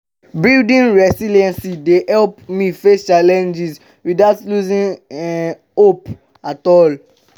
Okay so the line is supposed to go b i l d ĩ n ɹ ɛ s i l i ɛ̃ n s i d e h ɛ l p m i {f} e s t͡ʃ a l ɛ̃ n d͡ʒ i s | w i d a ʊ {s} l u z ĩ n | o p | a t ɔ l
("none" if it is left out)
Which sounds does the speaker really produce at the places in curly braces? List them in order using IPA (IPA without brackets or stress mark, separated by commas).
f, t